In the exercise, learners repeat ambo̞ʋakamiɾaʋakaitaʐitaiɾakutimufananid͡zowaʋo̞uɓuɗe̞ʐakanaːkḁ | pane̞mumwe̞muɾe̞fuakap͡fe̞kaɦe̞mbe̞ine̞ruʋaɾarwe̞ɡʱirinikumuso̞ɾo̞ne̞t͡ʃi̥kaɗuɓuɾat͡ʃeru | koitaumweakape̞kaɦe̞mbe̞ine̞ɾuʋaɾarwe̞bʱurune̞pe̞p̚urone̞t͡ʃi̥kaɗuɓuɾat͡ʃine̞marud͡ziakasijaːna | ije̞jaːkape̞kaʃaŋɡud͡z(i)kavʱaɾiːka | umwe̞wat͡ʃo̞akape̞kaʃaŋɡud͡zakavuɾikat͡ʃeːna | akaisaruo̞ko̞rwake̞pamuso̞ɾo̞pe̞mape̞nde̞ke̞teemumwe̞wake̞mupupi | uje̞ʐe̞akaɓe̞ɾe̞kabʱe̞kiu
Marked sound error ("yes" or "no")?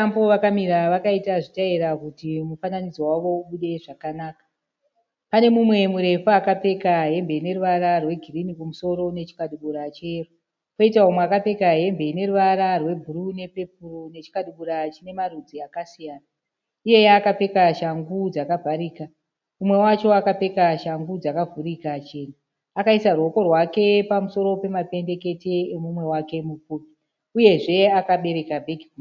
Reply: yes